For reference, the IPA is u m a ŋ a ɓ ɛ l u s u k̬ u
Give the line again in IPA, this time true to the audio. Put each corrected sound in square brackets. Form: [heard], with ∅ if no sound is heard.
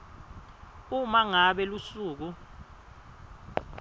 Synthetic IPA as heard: u m a ŋ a ɓ ɛ l u s [uː] k̬ u